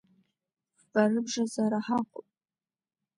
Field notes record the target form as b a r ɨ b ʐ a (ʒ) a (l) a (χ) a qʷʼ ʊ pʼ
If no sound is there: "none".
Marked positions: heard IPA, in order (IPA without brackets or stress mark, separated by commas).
z, ɾ, ħ